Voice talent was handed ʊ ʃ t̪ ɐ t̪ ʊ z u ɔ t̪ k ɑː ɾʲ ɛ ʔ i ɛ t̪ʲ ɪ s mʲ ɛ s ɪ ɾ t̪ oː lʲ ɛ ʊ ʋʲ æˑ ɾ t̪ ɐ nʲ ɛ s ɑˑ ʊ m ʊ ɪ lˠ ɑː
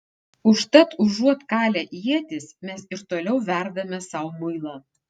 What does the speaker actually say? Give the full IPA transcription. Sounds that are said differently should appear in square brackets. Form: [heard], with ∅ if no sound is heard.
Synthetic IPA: ʊ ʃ t̪ ɐ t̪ ʊ [ʒ] u ɔ t̪ k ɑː [lʲ] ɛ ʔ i ɛ t̪ʲ ɪ s mʲ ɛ s ɪ ɾ t̪ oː lʲ ɛ ʊ ʋʲ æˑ ɾ [d̪] ɐ [mʲ] ɛ s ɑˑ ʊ m ʊ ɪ lˠ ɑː

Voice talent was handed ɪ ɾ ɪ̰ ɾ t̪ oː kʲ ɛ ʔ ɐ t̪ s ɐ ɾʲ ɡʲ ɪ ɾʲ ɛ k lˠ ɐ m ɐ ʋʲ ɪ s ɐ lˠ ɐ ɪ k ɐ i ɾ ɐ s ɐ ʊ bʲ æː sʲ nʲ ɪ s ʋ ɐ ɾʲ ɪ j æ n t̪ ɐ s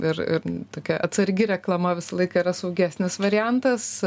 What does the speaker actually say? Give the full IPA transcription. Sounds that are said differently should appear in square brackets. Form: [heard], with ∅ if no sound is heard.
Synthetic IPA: ɪ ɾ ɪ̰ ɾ t̪ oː kʲ ɛ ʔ ɐ t̪ s ɐ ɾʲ ɡʲ ɪ ɾʲ ɛ k lˠ ɐ m ɐ ʋʲ ɪ s ɐ lˠ ɐ ɪ k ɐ i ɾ ɐ s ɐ ʊ [ɡʲ] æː sʲ nʲ ɪ s ʋ ɐ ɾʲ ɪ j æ n t̪ ɐ s

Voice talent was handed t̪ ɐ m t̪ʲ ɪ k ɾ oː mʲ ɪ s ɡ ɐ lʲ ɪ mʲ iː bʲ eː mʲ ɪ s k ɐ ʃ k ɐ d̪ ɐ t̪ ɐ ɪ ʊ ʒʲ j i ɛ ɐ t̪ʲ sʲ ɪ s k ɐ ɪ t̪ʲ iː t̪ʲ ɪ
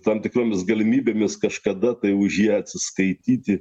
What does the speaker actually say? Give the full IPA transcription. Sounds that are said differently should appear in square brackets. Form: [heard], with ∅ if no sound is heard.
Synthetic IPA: t̪ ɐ m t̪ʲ ɪ k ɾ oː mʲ ɪ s ɡ ɐ lʲ ɪ mʲ iː bʲ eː mʲ ɪ s k ɐ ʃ k ɐ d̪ ɐ t̪ ɐ ɪ ʊ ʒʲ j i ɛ ɐ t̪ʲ sʲ ɪ s k ɐ ɪ t̪ʲ iː t̪ʲ ɪ

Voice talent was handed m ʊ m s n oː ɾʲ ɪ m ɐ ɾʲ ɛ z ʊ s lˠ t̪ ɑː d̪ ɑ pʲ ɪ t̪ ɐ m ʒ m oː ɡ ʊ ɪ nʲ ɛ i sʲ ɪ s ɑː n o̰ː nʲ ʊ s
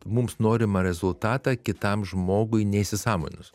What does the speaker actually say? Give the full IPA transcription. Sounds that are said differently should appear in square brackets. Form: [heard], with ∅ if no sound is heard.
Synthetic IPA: m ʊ m s n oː ɾʲ ɪ m ɐ ɾʲ ɛ z ʊ [∅] lˠ t̪ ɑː [t̪] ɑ [kʲ] ɪ t̪ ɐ m ʒ m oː ɡ ʊ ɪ nʲ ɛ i sʲ ɪ s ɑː [m] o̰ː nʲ ʊ s

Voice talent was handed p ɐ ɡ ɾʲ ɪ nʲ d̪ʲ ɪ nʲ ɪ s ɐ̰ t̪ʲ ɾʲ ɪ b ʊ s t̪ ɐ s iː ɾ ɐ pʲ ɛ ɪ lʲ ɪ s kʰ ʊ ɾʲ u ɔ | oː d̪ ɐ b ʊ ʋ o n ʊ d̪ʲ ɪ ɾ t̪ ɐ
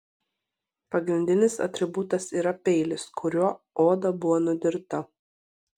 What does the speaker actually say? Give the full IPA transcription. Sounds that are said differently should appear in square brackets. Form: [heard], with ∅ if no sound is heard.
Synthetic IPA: p ɐ ɡ ɾʲ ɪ nʲ d̪ʲ ɪ nʲ ɪ s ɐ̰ t̪ʲ ɾʲ ɪ b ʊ [∅] t̪ ɐ s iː ɾ ɐ pʲ ɛ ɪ lʲ ɪ s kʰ ʊ ɾʲ u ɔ | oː d̪ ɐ b ʊ ʋ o n ʊ d̪ʲ ɪ ɾ t̪ ɐ

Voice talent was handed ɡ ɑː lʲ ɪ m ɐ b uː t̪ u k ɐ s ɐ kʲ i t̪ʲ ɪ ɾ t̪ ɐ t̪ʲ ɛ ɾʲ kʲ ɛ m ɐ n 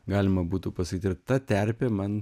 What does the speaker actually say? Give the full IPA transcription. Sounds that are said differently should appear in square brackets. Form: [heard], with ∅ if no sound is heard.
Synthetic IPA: ɡ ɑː lʲ ɪ m ɐ b uː t̪ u [p] ɐ s ɐ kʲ i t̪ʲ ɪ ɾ t̪ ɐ t̪ʲ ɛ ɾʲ [pʲ] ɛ m ɐ n

